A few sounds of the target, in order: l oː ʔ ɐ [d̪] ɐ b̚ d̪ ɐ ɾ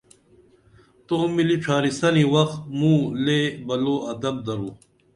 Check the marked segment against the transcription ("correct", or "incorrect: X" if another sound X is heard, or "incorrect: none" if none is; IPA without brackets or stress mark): correct